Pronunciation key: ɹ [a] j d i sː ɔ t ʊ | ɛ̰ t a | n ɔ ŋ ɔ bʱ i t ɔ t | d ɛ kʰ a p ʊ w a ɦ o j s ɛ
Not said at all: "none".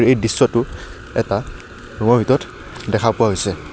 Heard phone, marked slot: e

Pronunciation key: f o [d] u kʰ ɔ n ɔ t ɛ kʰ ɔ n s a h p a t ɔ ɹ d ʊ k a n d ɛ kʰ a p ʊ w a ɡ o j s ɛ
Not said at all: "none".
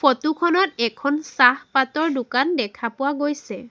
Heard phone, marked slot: t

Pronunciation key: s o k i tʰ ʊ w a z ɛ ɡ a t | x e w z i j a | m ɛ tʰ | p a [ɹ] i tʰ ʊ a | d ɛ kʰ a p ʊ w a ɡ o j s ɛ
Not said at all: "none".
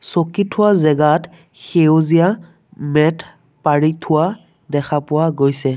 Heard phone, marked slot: ɹ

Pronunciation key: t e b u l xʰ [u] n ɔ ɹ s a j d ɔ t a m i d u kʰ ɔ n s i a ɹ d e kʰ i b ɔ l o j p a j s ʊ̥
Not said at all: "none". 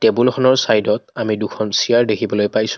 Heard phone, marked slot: ɔ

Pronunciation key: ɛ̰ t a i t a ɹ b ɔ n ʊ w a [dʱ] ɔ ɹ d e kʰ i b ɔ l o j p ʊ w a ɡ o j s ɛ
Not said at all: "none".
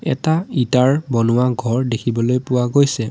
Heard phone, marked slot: ɡʱ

